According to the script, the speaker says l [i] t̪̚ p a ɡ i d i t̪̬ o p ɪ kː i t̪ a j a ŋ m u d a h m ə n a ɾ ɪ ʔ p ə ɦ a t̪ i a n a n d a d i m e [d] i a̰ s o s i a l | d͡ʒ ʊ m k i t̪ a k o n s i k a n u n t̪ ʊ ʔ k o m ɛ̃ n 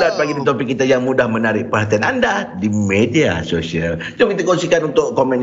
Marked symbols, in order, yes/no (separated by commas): no, yes